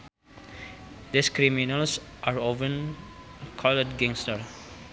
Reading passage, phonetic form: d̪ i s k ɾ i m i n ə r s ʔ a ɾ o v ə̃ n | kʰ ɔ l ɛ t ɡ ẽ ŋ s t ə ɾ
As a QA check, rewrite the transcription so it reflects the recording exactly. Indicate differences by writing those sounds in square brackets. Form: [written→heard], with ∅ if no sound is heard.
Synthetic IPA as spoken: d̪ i s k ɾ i m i n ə [r→l] s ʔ a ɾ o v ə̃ n | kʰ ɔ l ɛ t ɡ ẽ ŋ s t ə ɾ